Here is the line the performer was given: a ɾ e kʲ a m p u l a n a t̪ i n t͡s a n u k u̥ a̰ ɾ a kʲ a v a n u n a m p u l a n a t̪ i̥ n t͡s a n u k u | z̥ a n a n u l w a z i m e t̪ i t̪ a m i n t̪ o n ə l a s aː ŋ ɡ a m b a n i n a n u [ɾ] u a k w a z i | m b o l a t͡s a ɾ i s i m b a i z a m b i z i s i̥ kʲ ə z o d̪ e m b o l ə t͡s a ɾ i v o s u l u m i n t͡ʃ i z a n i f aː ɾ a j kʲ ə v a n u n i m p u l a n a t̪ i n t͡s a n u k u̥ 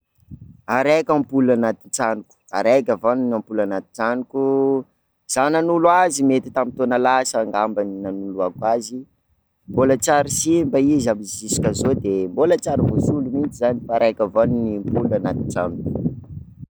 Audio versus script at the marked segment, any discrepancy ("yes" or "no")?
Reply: yes